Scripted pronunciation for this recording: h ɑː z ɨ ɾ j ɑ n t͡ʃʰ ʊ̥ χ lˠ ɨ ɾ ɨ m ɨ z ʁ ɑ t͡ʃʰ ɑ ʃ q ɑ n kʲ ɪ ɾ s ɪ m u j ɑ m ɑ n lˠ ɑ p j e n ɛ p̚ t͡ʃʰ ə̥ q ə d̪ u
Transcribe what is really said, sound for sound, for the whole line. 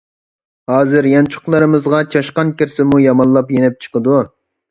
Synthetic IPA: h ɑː z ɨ ɾ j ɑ n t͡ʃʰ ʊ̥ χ lˠ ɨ ɾ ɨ m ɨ z ʁ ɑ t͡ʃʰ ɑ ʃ q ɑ n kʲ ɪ ɾ s ɪ m u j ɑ m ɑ n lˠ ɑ p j e n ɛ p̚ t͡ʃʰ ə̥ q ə d̪ u